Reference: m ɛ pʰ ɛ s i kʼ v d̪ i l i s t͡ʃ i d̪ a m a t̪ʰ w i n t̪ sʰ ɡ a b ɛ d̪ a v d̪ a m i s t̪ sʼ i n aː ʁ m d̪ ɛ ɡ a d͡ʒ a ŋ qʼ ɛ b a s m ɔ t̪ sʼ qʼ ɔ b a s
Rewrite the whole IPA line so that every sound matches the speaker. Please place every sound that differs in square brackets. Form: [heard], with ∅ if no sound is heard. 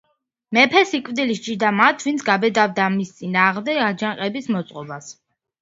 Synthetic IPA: m ɛ pʰ ɛ s i kʼ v d̪ i l i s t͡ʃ i d̪ a m a t̪ʰ [v] i n t̪ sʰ ɡ a b ɛ d̪ a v d̪ a m i s t̪ sʼ i n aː ʁ m d̪ ɛ ɡ a d͡ʒ a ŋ qʼ ɛ b [i] s m ɔ t̪ sʼ qʼ ɔ b a s

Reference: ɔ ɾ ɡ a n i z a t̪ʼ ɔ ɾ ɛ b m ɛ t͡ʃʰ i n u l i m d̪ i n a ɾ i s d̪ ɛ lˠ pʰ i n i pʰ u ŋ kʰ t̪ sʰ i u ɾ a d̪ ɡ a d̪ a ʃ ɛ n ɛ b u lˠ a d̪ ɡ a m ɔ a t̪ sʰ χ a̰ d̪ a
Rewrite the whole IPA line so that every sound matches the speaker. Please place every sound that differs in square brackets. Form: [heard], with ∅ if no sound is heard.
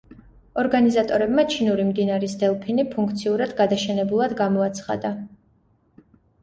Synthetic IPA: ɔ ɾ ɡ a n i z a t̪ʼ ɔ ɾ ɛ b m [a] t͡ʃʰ i n u [ɾ] i m d̪ i n a ɾ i s d̪ ɛ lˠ pʰ i n i pʰ u ŋ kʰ t̪ sʰ i u ɾ a d̪ ɡ a d̪ a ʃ ɛ n ɛ b u lˠ a d̪ ɡ a m ɔ a t̪ sʰ χ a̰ d̪ a

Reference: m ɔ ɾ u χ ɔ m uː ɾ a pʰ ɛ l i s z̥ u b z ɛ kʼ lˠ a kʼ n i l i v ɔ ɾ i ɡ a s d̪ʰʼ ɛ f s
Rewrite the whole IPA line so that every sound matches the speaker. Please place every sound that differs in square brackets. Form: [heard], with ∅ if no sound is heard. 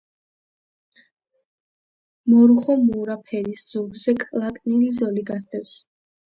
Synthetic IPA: m ɔ ɾ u χ ɔ m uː ɾ a pʰ ɛ [ɾ] i s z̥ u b z ɛ kʼ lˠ a kʼ n i l i [z] ɔ [l] i ɡ a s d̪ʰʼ ɛ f s

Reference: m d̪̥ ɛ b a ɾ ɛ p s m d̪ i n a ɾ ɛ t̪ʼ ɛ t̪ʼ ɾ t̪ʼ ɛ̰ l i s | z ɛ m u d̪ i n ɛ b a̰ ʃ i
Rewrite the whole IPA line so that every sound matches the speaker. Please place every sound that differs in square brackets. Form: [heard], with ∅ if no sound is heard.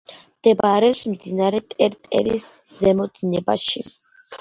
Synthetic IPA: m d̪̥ ɛ b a ɾ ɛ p s m d̪ i n a ɾ ɛ t̪ʼ ɛ [∅] ɾ t̪ʼ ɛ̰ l i s | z ɛ m [ɔ] d̪ i n ɛ b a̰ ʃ i

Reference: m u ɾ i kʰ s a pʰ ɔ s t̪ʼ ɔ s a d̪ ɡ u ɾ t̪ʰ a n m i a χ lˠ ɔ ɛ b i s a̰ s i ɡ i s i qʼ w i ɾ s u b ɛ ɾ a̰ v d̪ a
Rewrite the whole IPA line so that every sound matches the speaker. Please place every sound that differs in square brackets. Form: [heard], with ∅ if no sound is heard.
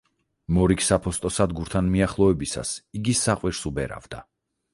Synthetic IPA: m [ɔ] ɾ i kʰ s a pʰ ɔ s t̪ʼ ɔ s a d̪ ɡ u ɾ t̪ʰ a n m i a χ lˠ ɔ ɛ b i s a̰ s i ɡ i s [a] qʼ w i ɾ s u b ɛ ɾ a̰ v d̪ a

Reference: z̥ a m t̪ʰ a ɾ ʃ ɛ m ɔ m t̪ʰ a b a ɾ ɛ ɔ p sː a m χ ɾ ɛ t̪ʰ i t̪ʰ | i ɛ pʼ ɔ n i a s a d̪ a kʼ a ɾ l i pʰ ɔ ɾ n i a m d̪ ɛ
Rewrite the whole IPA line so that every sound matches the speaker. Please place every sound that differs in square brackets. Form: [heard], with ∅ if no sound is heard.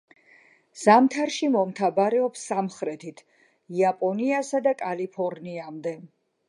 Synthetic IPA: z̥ a m t̪ʰ a ɾ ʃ [i] m ɔ m t̪ʰ a b a ɾ ɛ ɔ p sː a m χ ɾ ɛ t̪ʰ i t̪ʰ | i [a] pʼ ɔ n i a s a d̪ a kʼ a [∅] l i pʰ ɔ ɾ n i a m d̪ ɛ

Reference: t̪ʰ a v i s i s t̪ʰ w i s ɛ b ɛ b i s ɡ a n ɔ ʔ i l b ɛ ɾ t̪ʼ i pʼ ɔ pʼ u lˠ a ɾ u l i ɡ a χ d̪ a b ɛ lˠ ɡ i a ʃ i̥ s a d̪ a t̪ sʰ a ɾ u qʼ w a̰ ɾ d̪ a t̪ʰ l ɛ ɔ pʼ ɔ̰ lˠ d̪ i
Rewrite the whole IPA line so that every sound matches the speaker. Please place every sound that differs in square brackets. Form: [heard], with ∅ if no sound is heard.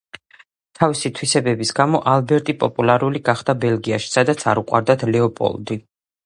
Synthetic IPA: t̪ʰ a v i s i [∅] t̪ʰ w i s ɛ b ɛ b i s ɡ a [m] ɔ ʔ [a] l b ɛ ɾ t̪ʼ i pʼ ɔ pʼ u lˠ a ɾ u l i ɡ a χ d̪ a b ɛ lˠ ɡ i a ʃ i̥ s a d̪ a t̪ sʰ a ɾ u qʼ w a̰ ɾ d̪ a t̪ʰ l ɛ ɔ pʼ ɔ̰ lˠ d̪ i

